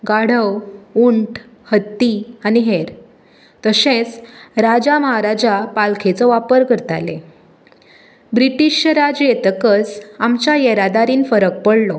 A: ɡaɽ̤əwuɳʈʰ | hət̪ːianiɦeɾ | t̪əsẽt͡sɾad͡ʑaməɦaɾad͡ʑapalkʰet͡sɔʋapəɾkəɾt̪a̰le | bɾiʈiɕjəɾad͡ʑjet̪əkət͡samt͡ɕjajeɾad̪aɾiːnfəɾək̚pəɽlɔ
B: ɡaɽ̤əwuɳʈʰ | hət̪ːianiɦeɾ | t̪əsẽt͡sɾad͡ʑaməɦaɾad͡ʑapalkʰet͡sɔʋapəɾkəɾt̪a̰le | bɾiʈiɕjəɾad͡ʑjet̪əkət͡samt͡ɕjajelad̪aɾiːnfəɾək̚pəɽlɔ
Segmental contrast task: A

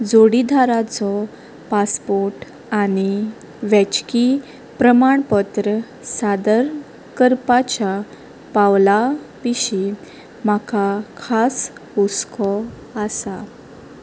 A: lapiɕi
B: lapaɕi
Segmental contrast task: A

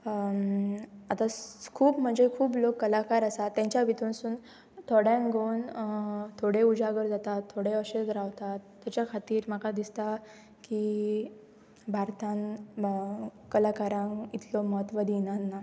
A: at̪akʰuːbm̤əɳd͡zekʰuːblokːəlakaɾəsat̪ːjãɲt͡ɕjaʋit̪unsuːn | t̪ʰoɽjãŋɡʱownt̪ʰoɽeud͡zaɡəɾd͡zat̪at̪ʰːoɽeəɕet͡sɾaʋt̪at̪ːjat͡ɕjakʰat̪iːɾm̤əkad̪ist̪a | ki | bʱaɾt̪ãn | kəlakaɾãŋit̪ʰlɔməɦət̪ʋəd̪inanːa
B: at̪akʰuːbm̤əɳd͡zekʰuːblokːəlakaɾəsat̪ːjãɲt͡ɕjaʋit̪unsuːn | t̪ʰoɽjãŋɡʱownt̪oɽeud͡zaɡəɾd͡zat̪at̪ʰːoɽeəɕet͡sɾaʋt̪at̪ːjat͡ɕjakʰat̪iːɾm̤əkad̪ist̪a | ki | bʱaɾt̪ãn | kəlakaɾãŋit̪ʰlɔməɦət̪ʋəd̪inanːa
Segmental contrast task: A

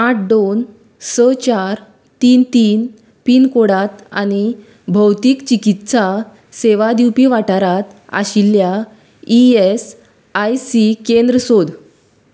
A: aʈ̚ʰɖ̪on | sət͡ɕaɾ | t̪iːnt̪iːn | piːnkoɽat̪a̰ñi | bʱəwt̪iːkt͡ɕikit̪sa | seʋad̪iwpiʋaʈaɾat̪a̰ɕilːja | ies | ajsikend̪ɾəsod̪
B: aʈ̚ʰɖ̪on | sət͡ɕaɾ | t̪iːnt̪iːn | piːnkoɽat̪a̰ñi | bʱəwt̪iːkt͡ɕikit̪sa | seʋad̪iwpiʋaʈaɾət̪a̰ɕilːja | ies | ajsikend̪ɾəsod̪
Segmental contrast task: A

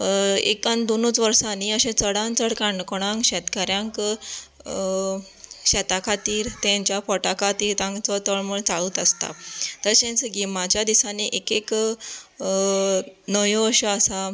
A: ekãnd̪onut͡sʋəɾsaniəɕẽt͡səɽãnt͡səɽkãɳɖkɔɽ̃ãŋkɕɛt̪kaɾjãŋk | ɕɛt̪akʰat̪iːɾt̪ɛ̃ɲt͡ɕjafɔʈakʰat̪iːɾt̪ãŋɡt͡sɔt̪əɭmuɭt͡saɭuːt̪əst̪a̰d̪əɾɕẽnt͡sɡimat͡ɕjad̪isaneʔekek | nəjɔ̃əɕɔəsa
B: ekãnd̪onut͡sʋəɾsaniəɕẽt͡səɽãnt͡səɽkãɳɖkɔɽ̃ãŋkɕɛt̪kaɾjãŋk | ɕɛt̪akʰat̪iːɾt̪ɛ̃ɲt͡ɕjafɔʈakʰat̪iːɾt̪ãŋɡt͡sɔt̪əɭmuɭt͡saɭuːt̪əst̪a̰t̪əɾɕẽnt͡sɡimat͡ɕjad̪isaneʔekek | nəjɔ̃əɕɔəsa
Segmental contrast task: B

